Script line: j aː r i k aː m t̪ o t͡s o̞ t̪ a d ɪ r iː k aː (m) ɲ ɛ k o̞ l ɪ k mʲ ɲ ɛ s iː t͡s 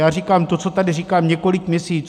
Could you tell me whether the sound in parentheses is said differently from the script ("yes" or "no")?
no